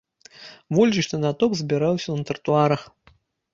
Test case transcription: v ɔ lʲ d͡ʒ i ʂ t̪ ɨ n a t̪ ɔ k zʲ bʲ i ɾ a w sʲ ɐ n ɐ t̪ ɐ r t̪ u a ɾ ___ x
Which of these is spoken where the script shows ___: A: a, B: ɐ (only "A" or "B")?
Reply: B